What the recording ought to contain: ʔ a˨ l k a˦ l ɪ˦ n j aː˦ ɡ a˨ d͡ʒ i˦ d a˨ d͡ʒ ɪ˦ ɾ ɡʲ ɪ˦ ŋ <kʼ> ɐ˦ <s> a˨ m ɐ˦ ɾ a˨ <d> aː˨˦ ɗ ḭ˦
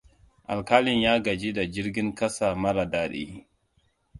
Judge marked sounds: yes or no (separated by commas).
no, yes, yes